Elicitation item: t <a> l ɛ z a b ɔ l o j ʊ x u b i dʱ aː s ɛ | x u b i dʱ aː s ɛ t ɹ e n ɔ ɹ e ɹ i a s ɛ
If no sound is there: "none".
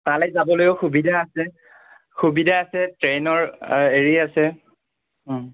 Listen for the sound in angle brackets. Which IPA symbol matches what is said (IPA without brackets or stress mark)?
a